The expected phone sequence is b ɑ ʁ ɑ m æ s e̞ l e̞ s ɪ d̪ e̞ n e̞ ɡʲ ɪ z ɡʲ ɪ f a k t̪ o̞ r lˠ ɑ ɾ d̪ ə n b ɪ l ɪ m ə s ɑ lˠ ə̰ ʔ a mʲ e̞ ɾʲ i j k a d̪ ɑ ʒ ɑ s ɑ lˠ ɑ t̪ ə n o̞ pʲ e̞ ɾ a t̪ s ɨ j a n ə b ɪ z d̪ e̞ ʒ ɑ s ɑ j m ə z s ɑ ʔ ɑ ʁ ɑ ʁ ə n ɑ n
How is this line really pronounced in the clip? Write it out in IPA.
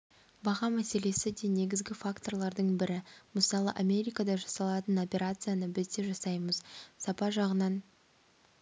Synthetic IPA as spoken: b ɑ ʁ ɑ m æ s e̞ l e̞ s ɪ d̪ e̞ n e̞ ɡʲ ɪ z ɡʲ ɪ f a k t̪ o̞ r lˠ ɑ ɾ d̪ ə ɴ b ɪ ɾ ɪ m ə s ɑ lˠ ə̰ ʔ a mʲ e̞ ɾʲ i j k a d̪ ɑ ʒ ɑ s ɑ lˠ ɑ t̪ ə n o̞ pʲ e̞ ɾ a t̪ s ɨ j a n ə b ɪ z d̪ e̞ ʒ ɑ s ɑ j m ə z s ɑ p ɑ ʒ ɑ ʁ ə n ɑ n